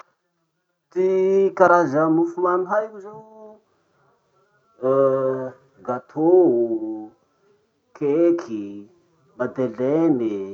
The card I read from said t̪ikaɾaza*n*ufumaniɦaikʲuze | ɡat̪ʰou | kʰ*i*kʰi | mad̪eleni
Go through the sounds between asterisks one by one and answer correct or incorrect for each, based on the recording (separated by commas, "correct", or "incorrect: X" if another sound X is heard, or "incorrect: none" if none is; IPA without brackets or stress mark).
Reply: incorrect: m, incorrect: e